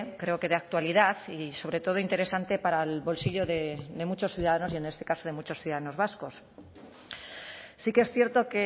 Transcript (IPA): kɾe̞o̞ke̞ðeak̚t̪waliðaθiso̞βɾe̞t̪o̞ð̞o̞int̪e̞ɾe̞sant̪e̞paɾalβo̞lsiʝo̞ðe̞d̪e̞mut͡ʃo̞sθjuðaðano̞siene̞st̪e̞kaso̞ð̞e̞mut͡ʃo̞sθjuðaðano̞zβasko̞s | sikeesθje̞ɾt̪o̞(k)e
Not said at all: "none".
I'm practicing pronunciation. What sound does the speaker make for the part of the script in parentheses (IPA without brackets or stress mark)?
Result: k